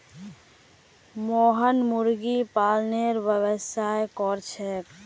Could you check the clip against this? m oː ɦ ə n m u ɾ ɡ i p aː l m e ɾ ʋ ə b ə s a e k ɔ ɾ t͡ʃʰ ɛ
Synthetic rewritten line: m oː ɦ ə n m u ɾ ɡ i p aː l n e ɾ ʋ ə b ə s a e k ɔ ɾ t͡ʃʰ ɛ